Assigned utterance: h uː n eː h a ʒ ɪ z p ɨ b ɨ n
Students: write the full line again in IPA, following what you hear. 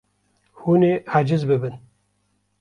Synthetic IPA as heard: h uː n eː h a d͡ʒ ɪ z b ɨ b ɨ n